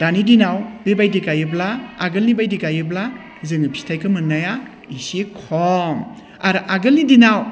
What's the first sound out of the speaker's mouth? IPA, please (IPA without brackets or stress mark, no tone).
d